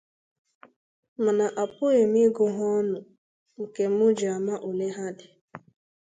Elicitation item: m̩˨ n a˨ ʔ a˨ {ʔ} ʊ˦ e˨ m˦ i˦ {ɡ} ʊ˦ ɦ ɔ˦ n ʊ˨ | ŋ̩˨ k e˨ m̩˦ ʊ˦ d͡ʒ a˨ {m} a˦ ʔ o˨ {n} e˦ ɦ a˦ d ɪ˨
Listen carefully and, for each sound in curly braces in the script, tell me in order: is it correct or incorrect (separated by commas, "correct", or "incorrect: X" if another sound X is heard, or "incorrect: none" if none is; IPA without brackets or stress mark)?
incorrect: p, correct, correct, correct